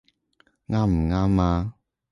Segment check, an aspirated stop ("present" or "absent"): absent